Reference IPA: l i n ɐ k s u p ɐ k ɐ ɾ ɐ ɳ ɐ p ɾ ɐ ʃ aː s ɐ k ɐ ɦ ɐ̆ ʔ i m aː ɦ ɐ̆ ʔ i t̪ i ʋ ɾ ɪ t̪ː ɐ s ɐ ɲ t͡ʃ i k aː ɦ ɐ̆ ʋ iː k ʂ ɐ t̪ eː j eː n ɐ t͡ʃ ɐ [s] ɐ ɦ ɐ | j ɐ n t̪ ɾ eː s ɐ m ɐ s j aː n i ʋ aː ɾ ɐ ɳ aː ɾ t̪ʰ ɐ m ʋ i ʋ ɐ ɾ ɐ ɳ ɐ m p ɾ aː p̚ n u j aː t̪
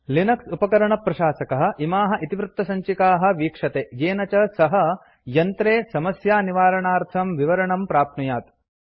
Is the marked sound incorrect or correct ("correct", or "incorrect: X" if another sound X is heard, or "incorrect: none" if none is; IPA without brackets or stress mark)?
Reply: correct